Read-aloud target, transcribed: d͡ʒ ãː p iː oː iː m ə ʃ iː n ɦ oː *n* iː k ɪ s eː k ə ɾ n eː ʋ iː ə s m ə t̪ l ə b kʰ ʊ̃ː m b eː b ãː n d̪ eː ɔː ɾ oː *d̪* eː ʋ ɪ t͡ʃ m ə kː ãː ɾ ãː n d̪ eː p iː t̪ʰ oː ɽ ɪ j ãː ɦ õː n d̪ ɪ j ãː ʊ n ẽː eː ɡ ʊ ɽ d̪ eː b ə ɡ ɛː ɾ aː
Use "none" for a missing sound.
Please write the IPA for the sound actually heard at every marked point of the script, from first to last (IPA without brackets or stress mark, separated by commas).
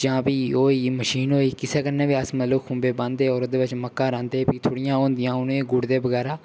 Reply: none, d̪